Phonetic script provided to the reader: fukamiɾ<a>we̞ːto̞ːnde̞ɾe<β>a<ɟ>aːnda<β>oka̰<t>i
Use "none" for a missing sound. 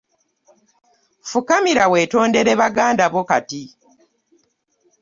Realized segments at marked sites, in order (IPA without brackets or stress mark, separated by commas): a, β, ɡ, β, t